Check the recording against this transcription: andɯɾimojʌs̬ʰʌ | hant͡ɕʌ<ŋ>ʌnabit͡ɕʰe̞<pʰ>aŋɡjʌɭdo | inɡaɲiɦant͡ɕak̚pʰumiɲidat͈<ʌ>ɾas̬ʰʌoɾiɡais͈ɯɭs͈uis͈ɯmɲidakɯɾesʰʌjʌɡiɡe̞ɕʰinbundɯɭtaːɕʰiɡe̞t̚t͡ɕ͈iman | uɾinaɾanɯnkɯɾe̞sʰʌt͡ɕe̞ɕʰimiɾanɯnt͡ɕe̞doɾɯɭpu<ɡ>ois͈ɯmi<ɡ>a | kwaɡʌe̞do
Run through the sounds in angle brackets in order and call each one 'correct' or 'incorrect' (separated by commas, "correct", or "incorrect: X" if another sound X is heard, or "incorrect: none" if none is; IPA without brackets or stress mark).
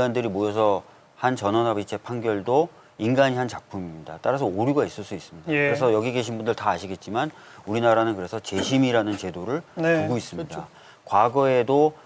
incorrect: n, correct, incorrect: a, correct, incorrect: d